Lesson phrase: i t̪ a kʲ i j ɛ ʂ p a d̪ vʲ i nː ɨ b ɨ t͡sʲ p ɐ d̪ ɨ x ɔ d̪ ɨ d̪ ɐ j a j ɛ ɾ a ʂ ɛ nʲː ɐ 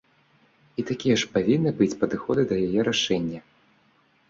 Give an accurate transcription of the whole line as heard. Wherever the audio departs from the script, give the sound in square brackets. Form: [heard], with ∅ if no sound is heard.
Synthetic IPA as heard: i t̪ a kʲ i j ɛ ʂ p a [∅] vʲ i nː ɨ b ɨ t͡sʲ p ɐ d̪ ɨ x ɔ d̪ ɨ d̪ ɐ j a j ɛ ɾ a ʂ ɛ nʲː ɐ